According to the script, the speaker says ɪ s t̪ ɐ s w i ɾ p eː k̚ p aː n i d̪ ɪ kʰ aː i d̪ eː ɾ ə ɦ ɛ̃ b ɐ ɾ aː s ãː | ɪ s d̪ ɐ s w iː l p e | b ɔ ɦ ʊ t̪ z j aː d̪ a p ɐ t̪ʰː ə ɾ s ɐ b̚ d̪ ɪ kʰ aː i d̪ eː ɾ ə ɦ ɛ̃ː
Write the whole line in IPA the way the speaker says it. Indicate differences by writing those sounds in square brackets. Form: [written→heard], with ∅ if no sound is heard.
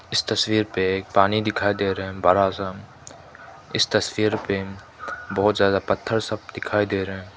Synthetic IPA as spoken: ɪ s t̪ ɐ s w [i→iː] ɾ p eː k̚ p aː n i d̪ ɪ kʰ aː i d̪ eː ɾ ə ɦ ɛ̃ b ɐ ɾ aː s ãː | ɪ s [d̪→t̪] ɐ s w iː [l→ɾ] p e | b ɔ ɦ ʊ t̪ z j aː d̪ a p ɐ t̪ʰː ə ɾ s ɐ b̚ d̪ ɪ kʰ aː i d̪ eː ɾ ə ɦ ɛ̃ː